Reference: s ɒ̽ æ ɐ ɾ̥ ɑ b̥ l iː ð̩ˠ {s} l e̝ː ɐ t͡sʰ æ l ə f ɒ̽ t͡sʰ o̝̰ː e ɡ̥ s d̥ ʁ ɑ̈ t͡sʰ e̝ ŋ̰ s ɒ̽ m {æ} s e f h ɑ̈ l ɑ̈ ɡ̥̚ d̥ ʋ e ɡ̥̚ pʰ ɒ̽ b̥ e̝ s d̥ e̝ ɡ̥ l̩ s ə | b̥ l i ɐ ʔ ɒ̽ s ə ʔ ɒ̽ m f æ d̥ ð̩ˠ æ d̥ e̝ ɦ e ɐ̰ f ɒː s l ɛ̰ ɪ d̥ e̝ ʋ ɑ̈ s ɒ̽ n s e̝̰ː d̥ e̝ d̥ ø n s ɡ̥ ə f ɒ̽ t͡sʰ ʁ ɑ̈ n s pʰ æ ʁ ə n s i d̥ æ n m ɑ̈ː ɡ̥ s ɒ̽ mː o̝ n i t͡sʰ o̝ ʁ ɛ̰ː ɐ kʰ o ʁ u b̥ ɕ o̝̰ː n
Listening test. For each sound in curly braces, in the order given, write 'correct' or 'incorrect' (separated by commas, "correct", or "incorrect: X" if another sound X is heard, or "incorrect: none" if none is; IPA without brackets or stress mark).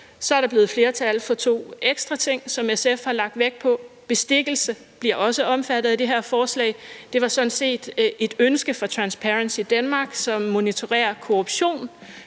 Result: incorrect: f, incorrect: e